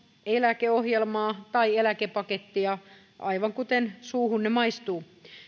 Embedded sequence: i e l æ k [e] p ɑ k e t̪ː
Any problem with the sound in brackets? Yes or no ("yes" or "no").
no